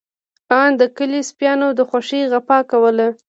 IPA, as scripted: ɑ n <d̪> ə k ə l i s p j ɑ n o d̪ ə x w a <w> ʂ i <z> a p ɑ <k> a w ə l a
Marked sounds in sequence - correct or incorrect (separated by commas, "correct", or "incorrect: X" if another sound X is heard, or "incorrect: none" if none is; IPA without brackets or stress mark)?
correct, incorrect: none, incorrect: ɣ, correct